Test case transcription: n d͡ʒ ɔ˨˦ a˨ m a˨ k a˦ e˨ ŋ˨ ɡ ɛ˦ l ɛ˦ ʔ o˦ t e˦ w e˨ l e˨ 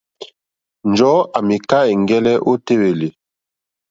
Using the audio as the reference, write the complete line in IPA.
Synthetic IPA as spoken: n d͡ʒ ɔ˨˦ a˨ m i˨ k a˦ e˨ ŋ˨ ɡ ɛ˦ l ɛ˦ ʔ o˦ t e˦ w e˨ l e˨